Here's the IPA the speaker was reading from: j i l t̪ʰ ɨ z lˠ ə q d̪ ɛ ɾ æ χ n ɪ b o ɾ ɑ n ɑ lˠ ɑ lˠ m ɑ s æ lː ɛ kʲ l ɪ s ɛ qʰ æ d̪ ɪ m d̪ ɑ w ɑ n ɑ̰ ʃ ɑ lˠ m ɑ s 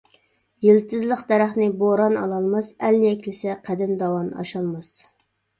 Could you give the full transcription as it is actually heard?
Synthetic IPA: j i l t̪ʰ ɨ z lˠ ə q d̪ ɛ ɾ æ χ n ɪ b o ɾ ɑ n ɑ lˠ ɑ lˠ m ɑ s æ lː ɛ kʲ l ɪ s ɛ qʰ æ d̪ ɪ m d̪ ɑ w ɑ n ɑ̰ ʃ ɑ lˠ m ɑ s